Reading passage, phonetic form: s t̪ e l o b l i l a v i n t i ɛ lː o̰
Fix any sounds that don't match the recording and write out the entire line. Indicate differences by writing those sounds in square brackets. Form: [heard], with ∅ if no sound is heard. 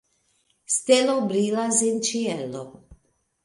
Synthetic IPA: s t̪ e l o b [ɾ] i l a [z] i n [t͡ʃ] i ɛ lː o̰